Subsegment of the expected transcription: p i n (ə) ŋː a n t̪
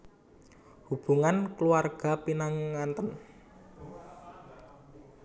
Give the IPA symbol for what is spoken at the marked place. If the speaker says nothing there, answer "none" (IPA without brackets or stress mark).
a